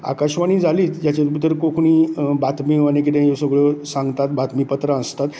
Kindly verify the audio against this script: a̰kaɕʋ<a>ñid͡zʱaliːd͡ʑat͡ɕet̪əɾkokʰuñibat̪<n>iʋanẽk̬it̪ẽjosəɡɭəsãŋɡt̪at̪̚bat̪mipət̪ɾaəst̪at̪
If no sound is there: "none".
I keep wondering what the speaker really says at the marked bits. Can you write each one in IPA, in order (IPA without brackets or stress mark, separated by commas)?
a, m